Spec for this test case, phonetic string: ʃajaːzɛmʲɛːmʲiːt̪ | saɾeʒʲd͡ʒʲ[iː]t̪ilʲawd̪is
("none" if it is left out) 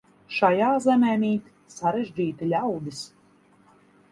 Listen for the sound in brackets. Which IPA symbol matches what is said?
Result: iː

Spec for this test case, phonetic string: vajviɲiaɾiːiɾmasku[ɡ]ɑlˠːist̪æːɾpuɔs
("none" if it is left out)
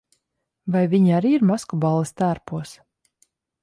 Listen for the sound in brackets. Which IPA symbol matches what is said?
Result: b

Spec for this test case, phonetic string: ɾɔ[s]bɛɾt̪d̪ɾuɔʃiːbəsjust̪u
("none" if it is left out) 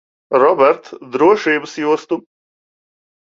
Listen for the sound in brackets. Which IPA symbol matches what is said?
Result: none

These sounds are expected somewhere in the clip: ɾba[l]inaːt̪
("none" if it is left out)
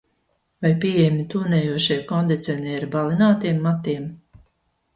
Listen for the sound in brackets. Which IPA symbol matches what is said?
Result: l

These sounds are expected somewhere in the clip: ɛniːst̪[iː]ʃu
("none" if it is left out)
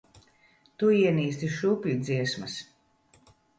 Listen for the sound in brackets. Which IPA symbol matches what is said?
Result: i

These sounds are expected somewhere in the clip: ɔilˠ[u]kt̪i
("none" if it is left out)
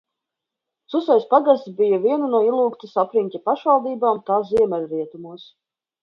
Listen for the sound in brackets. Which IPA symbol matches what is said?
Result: uː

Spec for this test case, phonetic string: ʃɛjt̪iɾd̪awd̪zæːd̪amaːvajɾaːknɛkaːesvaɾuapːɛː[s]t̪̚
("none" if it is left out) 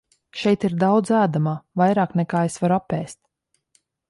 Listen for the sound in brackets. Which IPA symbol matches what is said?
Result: s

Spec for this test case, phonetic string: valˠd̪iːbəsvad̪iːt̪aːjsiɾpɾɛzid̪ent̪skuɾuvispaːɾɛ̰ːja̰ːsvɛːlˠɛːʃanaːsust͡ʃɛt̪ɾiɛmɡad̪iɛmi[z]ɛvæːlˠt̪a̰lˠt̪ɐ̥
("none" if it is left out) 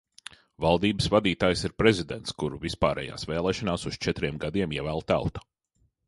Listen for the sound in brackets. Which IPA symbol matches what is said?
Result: none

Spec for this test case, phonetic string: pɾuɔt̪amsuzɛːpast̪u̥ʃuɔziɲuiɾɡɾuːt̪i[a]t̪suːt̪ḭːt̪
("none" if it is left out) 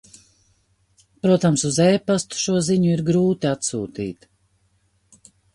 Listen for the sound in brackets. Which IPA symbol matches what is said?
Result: a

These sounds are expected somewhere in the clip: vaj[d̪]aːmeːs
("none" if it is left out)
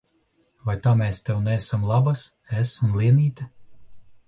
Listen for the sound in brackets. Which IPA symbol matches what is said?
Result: t̪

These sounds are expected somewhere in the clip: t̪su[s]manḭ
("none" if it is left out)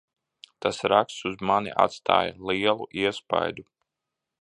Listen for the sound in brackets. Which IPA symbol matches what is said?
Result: z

